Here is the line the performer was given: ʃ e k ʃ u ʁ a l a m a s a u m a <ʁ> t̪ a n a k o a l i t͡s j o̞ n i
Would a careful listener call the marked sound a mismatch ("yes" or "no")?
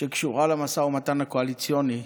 yes